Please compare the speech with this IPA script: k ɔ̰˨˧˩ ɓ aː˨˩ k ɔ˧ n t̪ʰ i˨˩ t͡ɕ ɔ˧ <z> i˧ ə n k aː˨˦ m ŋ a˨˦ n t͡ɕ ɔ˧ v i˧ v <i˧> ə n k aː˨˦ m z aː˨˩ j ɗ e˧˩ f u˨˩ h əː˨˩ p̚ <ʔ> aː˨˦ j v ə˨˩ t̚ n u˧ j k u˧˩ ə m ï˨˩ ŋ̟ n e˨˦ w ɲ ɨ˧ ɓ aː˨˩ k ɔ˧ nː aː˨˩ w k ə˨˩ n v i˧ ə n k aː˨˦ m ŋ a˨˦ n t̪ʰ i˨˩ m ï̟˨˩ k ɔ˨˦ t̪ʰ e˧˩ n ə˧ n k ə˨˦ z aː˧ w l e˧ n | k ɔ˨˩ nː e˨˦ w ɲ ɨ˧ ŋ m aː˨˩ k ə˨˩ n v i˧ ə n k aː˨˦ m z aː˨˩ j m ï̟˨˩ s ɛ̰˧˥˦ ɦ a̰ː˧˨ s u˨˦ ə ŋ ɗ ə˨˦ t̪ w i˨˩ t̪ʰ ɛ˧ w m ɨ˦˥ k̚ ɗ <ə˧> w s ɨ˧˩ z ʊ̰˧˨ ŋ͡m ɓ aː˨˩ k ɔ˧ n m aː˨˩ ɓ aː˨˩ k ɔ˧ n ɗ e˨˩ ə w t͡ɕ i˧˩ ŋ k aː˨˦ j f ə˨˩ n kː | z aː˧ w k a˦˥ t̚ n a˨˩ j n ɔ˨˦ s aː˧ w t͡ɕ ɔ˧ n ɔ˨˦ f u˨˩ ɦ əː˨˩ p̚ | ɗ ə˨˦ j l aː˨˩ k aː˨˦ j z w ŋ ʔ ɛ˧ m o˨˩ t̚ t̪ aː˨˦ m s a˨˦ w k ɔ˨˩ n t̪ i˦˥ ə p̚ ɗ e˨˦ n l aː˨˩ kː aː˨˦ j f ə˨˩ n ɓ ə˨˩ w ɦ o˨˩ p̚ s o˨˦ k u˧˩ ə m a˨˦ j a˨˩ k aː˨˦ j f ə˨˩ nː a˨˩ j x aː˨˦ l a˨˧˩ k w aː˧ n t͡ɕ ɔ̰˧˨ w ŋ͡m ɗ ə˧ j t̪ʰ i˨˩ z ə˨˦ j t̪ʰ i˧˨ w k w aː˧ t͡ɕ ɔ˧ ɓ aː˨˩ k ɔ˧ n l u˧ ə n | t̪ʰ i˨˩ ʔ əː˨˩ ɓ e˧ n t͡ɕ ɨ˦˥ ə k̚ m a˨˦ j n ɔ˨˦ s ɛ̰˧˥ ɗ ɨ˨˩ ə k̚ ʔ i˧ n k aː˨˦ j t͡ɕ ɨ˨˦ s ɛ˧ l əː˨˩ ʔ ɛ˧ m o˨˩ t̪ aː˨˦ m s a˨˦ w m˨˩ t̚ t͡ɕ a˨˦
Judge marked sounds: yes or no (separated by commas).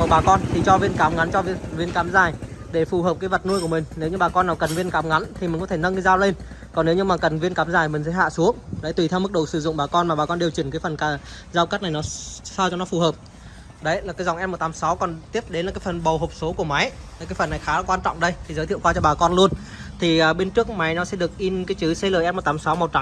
no, yes, no, no